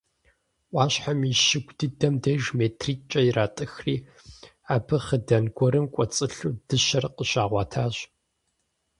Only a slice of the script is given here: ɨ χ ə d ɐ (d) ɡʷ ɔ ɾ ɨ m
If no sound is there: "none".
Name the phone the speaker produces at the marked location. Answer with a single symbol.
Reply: n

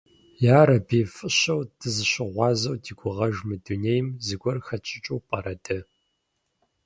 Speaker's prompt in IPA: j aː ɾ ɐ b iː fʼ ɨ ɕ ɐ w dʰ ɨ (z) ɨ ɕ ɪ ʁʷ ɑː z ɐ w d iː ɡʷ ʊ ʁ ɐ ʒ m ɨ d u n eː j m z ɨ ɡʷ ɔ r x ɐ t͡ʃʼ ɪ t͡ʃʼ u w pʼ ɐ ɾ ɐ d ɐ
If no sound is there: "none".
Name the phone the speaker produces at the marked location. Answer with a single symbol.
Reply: z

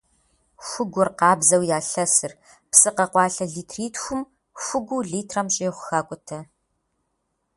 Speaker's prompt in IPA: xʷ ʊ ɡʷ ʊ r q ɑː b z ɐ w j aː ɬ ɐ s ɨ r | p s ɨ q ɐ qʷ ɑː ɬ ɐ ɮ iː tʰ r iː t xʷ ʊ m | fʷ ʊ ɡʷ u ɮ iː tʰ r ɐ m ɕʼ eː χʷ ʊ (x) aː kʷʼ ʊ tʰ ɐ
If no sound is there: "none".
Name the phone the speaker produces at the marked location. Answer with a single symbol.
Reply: x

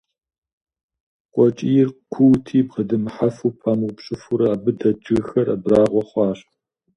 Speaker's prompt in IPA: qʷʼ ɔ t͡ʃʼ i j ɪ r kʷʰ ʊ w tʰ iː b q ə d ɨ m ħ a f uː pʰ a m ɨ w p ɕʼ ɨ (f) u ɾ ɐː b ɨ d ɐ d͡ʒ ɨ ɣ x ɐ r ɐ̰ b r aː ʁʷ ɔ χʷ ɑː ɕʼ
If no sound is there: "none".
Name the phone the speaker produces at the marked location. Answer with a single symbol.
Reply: f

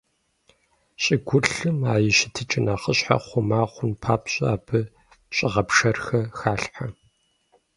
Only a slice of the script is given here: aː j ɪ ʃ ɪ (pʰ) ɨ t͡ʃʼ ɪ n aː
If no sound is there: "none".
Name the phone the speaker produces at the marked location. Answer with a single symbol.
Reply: tʰ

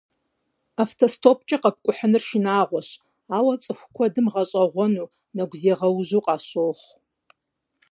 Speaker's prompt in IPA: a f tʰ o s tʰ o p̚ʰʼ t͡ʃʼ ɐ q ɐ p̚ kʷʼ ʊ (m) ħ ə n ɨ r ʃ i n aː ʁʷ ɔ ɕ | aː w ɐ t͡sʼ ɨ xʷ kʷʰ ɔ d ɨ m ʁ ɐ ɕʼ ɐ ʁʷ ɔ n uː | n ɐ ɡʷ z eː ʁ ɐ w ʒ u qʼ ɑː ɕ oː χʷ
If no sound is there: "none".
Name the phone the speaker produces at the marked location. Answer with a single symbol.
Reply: none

